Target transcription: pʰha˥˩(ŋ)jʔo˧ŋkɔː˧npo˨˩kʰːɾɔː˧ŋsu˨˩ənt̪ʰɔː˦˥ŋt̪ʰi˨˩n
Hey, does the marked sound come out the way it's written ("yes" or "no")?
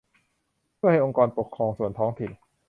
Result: no